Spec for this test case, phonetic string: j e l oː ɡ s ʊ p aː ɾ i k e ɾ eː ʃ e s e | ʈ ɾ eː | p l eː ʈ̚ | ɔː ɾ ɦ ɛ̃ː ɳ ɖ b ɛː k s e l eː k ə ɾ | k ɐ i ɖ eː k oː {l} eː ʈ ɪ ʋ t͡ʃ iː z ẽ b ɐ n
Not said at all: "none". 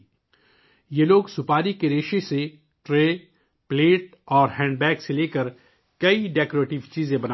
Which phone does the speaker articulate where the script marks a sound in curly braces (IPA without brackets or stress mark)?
ɾ